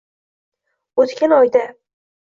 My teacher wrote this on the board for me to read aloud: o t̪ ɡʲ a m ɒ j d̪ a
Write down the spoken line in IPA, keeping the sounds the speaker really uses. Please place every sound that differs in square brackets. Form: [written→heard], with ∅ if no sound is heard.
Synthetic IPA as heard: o t̪ [ɡʲ→kʲ] a [m→n] ɒ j d̪ a